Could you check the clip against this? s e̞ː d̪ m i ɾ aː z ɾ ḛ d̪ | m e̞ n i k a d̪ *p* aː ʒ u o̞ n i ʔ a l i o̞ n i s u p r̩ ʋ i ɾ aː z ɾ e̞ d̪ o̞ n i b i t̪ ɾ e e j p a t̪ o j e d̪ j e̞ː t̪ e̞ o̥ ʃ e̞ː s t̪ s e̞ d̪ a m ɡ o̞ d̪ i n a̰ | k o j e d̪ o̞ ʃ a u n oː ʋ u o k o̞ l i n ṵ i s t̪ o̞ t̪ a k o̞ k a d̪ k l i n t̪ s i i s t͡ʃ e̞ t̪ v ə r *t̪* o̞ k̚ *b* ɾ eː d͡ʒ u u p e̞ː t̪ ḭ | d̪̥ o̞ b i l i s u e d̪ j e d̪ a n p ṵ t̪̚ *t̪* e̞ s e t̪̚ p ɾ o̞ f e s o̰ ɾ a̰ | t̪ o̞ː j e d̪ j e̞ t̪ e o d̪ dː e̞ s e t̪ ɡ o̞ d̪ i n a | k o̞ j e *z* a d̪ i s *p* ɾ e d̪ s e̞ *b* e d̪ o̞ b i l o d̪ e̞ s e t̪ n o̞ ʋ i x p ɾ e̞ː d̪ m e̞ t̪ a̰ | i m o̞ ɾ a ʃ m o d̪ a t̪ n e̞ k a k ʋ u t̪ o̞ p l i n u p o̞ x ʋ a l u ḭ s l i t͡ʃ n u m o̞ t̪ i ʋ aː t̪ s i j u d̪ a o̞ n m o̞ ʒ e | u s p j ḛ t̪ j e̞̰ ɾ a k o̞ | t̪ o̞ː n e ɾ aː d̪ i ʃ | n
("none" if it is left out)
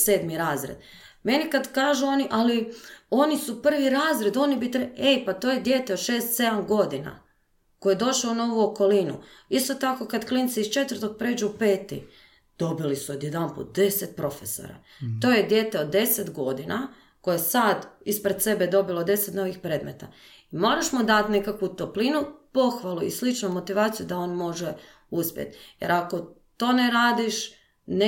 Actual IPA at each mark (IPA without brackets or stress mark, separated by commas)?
k, t̪, p, d̪, s, p, b